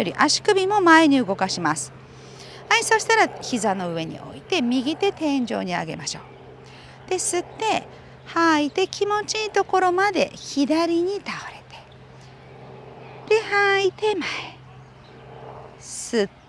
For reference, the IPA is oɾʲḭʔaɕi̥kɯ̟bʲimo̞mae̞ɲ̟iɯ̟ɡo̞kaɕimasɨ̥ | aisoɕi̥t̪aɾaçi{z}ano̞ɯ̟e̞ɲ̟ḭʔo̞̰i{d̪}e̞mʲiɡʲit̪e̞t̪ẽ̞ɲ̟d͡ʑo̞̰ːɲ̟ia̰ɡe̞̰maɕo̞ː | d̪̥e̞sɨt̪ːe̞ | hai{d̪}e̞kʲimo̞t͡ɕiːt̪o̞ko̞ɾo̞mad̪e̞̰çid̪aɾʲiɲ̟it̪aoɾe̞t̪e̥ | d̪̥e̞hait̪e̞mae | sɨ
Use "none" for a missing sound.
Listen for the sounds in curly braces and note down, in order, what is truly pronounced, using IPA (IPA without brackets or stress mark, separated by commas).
z, t̪, t̪